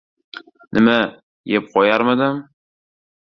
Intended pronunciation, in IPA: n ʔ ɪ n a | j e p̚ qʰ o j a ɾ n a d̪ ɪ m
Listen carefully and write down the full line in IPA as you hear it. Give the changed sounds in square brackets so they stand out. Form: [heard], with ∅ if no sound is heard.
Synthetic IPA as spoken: n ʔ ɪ [m] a | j e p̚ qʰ [ɒ] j a ɾ [m] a d̪ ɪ m